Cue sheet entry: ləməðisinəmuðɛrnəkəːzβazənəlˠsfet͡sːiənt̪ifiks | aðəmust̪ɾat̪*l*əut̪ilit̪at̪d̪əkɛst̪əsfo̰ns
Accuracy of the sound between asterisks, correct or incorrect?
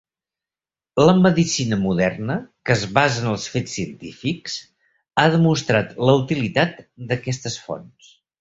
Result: correct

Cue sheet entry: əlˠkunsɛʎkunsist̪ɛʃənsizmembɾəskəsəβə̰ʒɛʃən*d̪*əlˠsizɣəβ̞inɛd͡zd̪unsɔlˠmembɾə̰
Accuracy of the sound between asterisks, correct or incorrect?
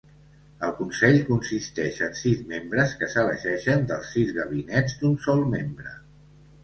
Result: correct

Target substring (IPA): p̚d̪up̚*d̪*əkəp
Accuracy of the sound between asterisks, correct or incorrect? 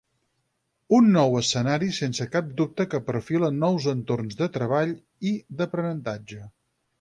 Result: incorrect: t̪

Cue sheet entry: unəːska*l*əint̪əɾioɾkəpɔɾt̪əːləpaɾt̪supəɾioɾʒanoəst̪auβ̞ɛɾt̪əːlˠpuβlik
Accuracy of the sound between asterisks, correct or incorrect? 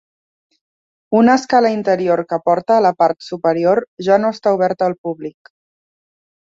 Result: correct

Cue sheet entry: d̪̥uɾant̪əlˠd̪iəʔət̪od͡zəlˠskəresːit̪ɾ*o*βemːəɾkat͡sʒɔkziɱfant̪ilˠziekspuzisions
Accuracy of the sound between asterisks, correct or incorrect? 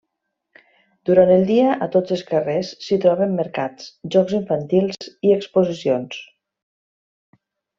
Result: incorrect: ɔ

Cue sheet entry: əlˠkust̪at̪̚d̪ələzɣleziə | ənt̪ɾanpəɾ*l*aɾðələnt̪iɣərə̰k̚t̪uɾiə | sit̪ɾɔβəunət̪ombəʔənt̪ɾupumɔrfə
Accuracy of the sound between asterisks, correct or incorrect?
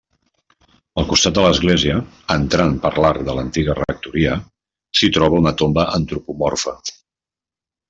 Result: correct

